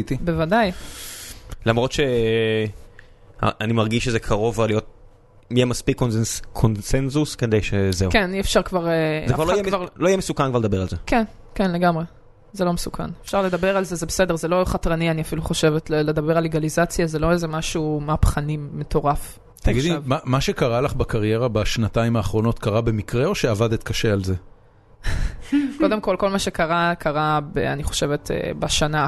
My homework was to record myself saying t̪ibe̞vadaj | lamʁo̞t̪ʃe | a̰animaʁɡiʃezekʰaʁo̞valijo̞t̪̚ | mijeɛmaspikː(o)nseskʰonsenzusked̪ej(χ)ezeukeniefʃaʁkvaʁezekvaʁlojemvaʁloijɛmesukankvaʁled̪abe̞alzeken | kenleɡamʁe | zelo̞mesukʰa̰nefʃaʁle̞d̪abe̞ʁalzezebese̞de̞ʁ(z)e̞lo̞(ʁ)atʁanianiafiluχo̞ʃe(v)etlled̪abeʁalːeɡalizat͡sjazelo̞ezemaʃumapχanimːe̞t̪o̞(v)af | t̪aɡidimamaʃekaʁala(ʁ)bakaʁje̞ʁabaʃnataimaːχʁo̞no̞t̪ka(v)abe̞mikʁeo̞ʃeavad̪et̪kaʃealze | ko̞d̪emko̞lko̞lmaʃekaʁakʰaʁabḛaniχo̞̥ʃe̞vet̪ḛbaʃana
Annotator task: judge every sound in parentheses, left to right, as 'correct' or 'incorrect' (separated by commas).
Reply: correct, incorrect, correct, incorrect, correct, incorrect, incorrect, incorrect